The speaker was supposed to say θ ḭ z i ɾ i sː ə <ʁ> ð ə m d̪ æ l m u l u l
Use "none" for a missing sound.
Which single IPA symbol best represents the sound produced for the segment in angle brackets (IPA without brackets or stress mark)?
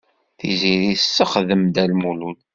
χ